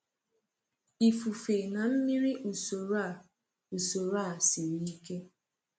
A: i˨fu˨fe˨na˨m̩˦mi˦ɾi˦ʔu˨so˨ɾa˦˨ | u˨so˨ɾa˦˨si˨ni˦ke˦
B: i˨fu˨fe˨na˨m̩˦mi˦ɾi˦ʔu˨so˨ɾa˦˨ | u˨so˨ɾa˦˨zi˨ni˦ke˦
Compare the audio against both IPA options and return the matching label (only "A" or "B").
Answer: A